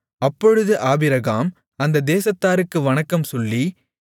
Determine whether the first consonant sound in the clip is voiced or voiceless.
voiceless